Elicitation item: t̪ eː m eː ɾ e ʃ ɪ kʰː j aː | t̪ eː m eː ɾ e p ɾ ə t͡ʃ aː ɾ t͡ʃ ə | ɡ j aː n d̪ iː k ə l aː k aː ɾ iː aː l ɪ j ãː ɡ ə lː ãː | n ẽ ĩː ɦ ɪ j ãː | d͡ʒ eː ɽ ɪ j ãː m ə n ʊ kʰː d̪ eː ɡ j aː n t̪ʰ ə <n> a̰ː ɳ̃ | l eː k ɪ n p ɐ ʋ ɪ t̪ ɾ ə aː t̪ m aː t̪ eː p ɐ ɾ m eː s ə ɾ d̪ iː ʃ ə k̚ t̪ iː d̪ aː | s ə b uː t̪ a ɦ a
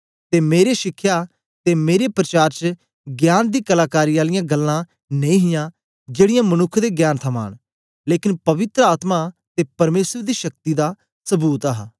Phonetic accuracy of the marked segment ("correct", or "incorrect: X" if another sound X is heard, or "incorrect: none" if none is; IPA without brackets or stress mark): incorrect: m